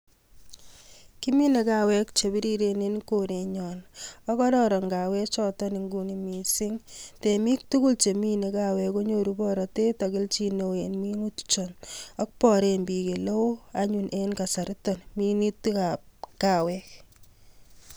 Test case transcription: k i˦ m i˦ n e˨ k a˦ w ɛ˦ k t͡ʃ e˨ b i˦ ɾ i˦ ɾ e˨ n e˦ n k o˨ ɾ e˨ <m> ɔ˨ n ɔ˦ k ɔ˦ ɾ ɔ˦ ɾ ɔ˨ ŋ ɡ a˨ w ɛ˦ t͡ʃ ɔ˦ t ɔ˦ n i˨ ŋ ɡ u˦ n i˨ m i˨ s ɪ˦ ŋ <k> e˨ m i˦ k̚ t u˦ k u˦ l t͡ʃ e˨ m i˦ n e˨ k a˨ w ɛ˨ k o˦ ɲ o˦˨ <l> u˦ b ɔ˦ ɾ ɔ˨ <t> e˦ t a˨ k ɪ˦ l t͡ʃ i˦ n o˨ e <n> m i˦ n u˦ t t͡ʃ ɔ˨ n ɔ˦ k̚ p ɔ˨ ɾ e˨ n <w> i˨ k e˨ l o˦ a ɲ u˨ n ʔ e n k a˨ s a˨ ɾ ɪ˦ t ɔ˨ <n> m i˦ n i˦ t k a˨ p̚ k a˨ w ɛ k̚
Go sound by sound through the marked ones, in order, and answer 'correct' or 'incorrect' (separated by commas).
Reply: incorrect, incorrect, incorrect, correct, correct, incorrect, correct